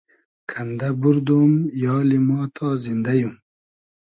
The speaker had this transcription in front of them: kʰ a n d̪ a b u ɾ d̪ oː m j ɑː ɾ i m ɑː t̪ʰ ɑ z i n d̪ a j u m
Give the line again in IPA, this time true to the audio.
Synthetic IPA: kʰ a n d̪ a b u ɾ d̪ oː m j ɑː l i m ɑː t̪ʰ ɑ z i n d̪ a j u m